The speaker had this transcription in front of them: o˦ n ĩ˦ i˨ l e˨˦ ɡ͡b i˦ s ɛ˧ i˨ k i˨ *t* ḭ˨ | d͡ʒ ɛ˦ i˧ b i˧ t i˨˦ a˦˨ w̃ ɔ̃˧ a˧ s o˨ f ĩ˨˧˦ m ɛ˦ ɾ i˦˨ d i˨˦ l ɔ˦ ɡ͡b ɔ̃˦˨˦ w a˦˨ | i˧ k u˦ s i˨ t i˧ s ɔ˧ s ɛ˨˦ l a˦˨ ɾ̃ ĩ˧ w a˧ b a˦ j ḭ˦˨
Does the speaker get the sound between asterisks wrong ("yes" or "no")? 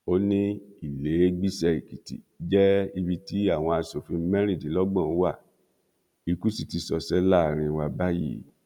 no